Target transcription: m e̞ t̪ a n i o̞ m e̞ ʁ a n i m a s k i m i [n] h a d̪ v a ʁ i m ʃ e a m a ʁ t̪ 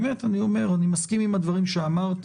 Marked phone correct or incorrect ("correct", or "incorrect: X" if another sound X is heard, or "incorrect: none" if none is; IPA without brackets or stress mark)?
incorrect: m